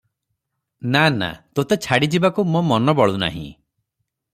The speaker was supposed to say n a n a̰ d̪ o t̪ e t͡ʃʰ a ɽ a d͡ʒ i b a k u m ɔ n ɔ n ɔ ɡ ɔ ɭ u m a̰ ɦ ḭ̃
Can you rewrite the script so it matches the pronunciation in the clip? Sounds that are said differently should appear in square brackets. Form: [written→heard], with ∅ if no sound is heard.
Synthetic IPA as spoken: n a n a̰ [d̪→t̪] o t̪ e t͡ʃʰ a ɽ [a→i] d͡ʒ i b a k u m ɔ [n→m] ɔ n ɔ [ɡ→b] ɔ ɭ u [m→n] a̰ ɦ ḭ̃